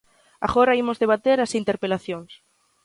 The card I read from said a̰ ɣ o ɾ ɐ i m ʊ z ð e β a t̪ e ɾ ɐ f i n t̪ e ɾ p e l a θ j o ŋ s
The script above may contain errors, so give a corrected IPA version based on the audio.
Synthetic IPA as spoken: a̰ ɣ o ɾ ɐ i m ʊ z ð e β a t̪ e ɾ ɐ s i n t̪ e ɾ p e l a θ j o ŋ s

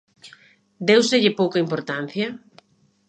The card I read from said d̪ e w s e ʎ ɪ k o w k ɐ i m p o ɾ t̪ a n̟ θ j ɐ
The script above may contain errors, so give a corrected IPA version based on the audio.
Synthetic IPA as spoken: d̪ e w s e ʎ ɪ p o w k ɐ i m p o ɾ t̪ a n̟ θ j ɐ

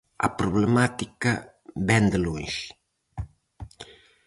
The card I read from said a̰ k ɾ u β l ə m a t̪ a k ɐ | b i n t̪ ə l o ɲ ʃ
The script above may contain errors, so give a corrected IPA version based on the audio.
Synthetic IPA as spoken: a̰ p ɾ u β l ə m a t̪ i k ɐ | b ɛ n d̪ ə l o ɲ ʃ

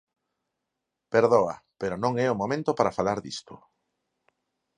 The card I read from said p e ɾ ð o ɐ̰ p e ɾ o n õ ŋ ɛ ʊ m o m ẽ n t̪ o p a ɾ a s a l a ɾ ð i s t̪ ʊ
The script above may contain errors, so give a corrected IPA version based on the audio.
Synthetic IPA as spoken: p e ɾ ð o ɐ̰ p e ɾ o n õ ŋ ɛ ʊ m o m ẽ n t̪ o p a ɾ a f a l a ɾ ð i s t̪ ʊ

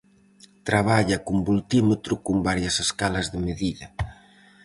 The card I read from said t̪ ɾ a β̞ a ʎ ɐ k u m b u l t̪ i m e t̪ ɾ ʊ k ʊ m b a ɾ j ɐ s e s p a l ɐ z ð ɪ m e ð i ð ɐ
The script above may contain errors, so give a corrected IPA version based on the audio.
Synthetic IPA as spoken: t̪ ɾ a β̞ a ʎ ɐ k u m b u l t̪ i m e t̪ ɾ ʊ k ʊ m b a ɾ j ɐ s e s k a l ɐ z ð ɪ m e ð i ð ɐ

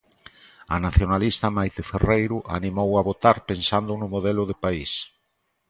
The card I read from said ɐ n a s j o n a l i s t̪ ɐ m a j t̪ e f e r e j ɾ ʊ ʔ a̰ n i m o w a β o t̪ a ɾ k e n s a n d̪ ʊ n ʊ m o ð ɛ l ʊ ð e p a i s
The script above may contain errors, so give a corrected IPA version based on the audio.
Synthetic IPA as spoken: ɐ n a θ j o n a l i s t̪ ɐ m a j t̪ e f e r e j ɾ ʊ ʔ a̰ n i m o w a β o t̪ a ɾ p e n s a n d̪ ʊ n ʊ m o ð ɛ l ʊ ð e p a i s

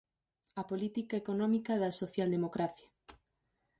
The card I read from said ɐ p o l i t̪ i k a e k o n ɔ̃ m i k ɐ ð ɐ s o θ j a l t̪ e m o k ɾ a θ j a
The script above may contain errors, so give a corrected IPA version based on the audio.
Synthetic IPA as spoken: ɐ p o l i t̪ i k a e k o n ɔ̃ m i k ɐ ð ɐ s o θ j a l d̪ e m o k ɾ a θ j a

